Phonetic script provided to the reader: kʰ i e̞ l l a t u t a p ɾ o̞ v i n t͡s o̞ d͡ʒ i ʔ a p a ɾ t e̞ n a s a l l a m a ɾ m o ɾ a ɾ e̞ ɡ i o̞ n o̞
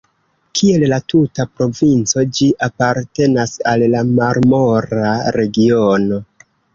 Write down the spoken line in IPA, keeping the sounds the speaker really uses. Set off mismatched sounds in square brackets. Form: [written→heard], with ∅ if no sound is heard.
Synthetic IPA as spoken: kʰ i e̞ l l a t u t a p ɾ o̞ v i n t͡s o̞ d͡ʒ i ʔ a p a ɾ t e̞ n a s a l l a m a ɾ m o ɾ a ɾ e̞ ɡ i o̞ n o̞

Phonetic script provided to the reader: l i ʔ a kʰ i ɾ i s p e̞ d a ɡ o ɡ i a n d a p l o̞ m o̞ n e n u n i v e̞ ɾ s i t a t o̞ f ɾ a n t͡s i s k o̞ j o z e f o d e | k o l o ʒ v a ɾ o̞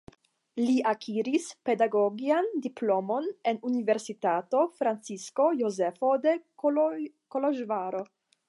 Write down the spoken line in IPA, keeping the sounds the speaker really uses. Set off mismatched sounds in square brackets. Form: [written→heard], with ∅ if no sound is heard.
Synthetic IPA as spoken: l i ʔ a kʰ i ɾ i s p e̞ d a ɡ o ɡ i a n d [a→i] p l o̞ m o̞ n e n u n i v e̞ ɾ s i t a t o̞ f ɾ a n t͡s i s k o̞ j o z e f o d e | k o l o ʒ v a ɾ o̞

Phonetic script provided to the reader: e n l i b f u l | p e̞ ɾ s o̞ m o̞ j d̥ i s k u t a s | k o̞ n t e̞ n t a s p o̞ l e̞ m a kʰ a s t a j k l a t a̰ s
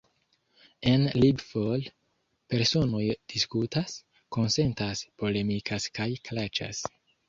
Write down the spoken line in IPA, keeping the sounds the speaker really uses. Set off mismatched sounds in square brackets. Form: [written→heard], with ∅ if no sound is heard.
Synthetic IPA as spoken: e n l i b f [u→o] l | p e̞ ɾ s o̞ [m→n] o̞ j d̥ i s k u t a s | k o̞ n [t→s] e̞ n t a s p o̞ l e̞ m [a→i] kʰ a s [t→k] a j k l a [t→t͡ʃ] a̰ s

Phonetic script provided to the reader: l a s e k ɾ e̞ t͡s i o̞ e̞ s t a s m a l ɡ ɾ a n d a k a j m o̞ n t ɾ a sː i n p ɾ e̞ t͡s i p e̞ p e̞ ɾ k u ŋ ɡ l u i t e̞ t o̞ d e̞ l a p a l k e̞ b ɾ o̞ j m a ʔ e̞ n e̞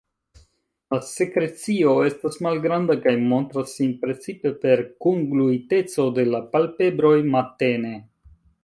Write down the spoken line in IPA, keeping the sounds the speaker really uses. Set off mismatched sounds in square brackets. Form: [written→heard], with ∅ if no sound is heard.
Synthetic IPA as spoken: l a s e k ɾ e̞ t͡s i o̞ e̞ s t a s m a l ɡ ɾ a n d a k a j m o̞ n t ɾ a sː i n p ɾ e̞ t͡s i p e̞ p e̞ ɾ k u ŋ ɡ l u i t e̞ [t→t͡s] o̞ d e̞ l a p a l [k→p] e̞ b ɾ o̞ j m a [ʔ→t] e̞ n e̞

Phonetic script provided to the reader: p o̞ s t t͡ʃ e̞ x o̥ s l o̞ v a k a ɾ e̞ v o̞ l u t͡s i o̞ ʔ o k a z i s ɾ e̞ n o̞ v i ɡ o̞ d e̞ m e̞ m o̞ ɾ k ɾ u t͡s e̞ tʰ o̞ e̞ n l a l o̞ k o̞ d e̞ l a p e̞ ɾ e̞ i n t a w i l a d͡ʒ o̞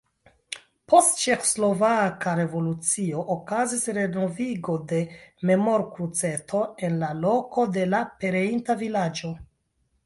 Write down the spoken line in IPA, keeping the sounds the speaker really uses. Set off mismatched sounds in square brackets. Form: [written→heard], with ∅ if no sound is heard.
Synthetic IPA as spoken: p o̞ s t t͡ʃ e̞ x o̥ s l o̞ v a k a ɾ e̞ v o̞ l u t͡s i o̞ ʔ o k a z i s ɾ e̞ n o̞ v i ɡ o̞ d e̞ m e̞ m o̞ ɾ k ɾ u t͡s e̞ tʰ o̞ e̞ n l a l o̞ k o̞ d e̞ l a p e̞ ɾ e̞ i n t a [w→v] i l a d͡ʒ o̞

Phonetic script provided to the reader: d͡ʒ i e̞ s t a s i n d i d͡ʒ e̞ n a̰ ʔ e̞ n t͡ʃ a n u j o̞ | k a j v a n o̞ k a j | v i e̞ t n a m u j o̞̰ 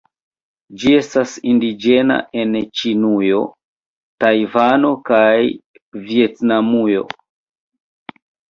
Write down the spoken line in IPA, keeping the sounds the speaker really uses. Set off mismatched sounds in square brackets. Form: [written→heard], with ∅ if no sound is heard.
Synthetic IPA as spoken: d͡ʒ i e̞ s t a s i n d i d͡ʒ e̞ n a̰ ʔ e̞ n t͡ʃ [a→i] n u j o̞ | [k→t] a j v a n o̞ k a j | v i e̞ t n a m u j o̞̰

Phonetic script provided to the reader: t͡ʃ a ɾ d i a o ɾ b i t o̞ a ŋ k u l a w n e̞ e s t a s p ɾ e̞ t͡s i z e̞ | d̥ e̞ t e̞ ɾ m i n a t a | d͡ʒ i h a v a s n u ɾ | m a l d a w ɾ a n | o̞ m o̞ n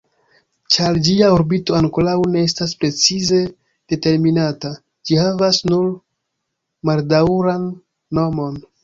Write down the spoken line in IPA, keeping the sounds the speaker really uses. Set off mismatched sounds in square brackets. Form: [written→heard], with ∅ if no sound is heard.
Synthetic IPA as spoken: t͡ʃ a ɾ [d→d͡ʒ] i a o ɾ b i t o̞ a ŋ k [u→o] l a w n e̞ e s t a s p ɾ e̞ t͡s i z e̞ | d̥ e̞ t e̞ ɾ m i n a t a | d͡ʒ i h a v a s n u ɾ | m a l d a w ɾ a [n→nː] | o̞ m o̞ n

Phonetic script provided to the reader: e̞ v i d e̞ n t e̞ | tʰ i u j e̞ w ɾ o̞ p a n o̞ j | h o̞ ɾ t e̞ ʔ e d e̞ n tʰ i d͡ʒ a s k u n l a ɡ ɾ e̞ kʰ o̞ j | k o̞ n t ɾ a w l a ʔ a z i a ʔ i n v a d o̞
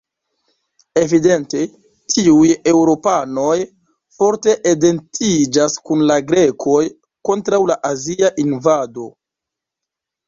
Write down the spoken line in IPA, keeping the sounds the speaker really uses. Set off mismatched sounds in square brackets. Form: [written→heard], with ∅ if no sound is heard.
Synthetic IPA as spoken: e̞ v i d e̞ n t e̞ | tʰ i u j e̞ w ɾ o̞ p a n o̞ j | [h→f] o̞ ɾ t e̞ ʔ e d e̞ n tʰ i d͡ʒ a s k u n l a ɡ ɾ e̞ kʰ o̞ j | k o̞ n t ɾ a w l a ʔ a z i a ʔ i n v a d o̞

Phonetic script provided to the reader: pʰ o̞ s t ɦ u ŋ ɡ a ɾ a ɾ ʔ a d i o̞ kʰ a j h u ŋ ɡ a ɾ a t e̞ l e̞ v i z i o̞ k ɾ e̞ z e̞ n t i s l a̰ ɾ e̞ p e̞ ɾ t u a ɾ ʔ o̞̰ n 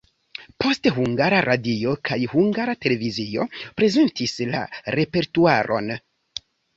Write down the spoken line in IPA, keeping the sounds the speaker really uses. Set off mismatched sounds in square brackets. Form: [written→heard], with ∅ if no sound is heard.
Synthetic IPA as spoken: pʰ o̞ s t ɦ u ŋ ɡ a ɾ a ɾ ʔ a d i o̞ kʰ a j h u ŋ ɡ a ɾ a t e̞ l e̞ v i z i o̞ [k→p] ɾ e̞ z e̞ n t i s l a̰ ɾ e̞ p e̞ ɾ t u a ɾ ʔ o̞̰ n

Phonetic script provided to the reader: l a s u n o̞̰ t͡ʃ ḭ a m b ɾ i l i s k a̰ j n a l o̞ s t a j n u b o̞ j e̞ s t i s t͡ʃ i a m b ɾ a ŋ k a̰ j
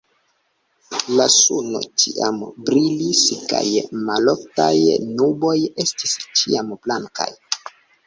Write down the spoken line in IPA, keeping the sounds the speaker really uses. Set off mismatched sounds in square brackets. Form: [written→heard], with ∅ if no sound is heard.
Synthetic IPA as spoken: l a s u n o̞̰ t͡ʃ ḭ a m b ɾ i l i s k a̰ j [n→m] a l o̞ [s→f] t a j n u b o̞ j e̞ s t i s t͡ʃ i a m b [ɾ→l] a ŋ k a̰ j

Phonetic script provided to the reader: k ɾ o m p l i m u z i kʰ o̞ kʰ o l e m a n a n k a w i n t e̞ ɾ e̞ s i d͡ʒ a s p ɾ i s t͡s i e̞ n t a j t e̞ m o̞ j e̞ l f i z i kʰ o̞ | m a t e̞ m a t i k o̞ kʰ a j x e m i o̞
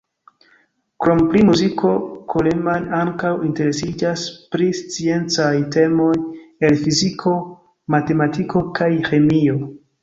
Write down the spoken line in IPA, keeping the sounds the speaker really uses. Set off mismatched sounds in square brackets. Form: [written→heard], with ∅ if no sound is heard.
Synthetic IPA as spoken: k ɾ o m p l i m u z i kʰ o̞ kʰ o l e m a n a [n→ŋ] k a w i n t e̞ ɾ e̞ s i d͡ʒ a s p ɾ i s t͡s i e̞ n [t→t͡s] a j t e̞ m o̞ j e̞ l f i z i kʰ o̞ | m a t e̞ m a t i k o̞ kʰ a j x e m i o̞

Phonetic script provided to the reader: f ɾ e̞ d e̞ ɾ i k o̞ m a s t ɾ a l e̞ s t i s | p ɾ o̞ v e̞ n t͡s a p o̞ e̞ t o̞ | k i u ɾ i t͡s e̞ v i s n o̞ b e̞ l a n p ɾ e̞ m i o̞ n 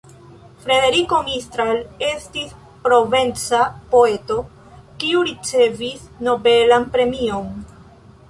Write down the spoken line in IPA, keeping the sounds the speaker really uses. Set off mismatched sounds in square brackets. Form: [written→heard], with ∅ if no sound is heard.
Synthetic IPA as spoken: f ɾ e̞ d e̞ ɾ i k o̞ m [a→i] s t ɾ a l e̞ s t i s | p ɾ o̞ v e̞ n t͡s a p o̞ e̞ t o̞ | k i u ɾ i t͡s e̞ v i s n o̞ b e̞ l a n p ɾ e̞ m i o̞ n

